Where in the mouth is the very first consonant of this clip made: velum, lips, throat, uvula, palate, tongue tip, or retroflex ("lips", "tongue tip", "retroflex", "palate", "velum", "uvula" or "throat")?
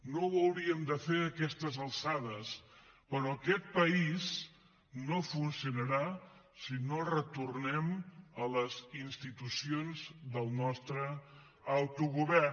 tongue tip